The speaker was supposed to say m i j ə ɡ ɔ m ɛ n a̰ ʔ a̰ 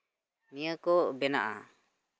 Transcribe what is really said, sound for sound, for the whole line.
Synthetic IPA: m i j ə k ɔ b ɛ n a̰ ʔ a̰